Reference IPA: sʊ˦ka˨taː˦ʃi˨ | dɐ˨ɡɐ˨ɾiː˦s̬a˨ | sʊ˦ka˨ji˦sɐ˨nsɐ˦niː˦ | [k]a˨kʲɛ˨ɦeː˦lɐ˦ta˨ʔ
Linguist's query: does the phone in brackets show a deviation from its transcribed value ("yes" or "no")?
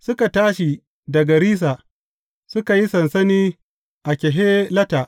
yes